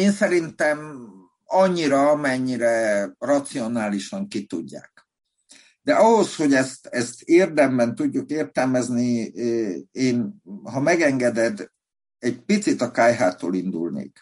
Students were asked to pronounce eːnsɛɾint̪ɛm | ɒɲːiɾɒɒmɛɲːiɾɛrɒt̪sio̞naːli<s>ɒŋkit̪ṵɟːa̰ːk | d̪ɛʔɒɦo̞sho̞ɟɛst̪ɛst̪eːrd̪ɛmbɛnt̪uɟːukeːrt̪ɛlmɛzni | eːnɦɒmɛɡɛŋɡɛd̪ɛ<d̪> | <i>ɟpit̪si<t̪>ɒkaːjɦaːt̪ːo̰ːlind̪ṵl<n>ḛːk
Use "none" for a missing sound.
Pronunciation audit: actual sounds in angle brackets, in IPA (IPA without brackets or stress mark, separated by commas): ʃ, d̪, ɛ, t̪, n